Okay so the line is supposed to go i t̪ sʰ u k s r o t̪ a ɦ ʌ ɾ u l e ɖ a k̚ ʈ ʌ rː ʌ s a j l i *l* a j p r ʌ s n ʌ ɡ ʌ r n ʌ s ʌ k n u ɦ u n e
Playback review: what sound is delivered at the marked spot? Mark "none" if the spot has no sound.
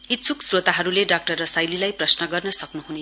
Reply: l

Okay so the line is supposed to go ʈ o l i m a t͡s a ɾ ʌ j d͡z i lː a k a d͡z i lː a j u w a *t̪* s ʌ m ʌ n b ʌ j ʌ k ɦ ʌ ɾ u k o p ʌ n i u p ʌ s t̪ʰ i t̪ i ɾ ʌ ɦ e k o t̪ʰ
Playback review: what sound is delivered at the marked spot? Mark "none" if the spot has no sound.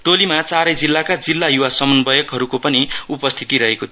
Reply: none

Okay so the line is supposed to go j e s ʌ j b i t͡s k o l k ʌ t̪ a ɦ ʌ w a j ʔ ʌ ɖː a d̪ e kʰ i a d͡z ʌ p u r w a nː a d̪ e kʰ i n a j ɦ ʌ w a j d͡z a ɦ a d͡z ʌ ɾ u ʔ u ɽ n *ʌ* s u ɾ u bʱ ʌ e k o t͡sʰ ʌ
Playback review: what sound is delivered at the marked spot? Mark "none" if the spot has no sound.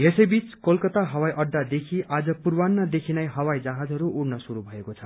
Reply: ʌ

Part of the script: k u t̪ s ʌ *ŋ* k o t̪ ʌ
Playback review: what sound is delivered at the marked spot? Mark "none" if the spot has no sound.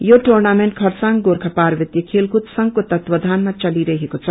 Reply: ŋ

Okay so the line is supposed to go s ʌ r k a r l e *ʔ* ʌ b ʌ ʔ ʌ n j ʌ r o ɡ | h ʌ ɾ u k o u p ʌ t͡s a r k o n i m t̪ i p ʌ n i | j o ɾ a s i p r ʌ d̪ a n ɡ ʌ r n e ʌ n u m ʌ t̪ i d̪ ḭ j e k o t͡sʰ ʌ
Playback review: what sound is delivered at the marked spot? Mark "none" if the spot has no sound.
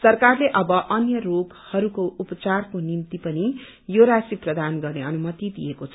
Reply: ʔ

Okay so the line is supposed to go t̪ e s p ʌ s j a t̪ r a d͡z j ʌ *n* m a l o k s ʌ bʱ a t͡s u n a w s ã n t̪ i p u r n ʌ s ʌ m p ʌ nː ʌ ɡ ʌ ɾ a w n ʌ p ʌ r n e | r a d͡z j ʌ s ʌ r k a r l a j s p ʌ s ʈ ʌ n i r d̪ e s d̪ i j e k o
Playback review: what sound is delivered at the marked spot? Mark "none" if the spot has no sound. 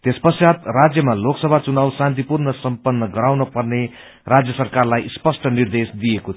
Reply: none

